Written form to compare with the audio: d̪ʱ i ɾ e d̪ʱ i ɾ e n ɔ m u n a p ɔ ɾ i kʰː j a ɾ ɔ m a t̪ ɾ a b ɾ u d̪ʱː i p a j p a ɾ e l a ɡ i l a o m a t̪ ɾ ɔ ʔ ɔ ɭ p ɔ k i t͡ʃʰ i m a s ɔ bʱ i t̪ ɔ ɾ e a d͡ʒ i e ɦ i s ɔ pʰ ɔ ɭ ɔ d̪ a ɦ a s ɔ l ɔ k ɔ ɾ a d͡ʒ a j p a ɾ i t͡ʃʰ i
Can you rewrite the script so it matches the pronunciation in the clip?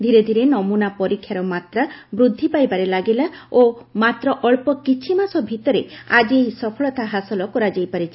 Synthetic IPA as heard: d̪ʱ i ɾ e d̪ʱ i ɾ e n ɔ m u n a p ɔ ɾ i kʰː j a ɾ ɔ m a t̪ ɾ a b ɾ u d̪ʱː i p a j b a ɾ e l a ɡ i l a o m a t̪ ɾ ɔ ʔ ɔ ɭ p ɔ k i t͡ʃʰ i m a s ɔ bʱ i t̪ ɔ ɾ e a d͡ʒ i e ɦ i s ɔ pʰ ɔ ɭ ɔ t̪ a ɦ a s ɔ l ɔ k ɔ ɾ a d͡ʒ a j p a ɾ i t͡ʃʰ i